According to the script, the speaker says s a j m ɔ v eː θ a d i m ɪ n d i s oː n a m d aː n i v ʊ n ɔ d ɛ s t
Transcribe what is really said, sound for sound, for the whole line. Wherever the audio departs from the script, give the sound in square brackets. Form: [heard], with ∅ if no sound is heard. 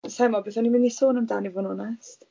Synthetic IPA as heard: s a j m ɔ [b] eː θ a [n] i m ɪ n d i s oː n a m d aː n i v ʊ n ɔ [n] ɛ s t